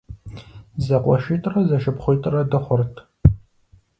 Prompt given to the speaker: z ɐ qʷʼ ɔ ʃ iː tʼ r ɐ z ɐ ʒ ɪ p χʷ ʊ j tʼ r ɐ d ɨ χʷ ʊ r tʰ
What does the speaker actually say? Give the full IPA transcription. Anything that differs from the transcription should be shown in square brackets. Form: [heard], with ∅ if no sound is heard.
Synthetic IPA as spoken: z ɐ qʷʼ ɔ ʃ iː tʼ r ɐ z ɐ [ʃ] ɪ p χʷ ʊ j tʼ r ɐ d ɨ χʷ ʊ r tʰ